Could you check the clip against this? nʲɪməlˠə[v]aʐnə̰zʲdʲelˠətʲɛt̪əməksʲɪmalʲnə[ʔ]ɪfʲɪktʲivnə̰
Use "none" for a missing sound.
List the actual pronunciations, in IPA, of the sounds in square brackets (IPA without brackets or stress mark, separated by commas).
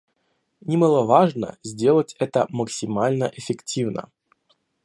v, ʔ